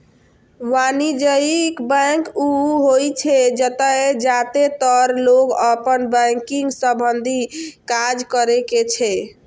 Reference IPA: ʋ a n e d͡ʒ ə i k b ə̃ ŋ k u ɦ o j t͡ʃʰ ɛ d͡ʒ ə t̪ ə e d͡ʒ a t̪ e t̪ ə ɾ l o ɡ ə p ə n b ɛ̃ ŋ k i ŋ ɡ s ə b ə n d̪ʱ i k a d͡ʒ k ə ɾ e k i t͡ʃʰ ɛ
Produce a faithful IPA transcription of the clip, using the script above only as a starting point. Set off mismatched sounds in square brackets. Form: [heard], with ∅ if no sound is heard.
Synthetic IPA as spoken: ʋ a n [i] d͡ʒ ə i k b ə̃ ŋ k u ɦ o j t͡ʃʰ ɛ d͡ʒ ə t̪ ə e d͡ʒ a t̪ e t̪ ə ɾ l o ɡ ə p ə n b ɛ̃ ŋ k i ŋ ɡ s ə b ə n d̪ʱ i k a d͡ʒ k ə ɾ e k [e] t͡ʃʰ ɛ